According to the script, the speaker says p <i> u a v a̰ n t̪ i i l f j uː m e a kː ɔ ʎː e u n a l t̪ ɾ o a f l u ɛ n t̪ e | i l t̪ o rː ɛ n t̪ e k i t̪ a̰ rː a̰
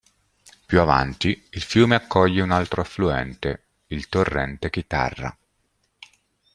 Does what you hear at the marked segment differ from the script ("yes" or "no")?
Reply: yes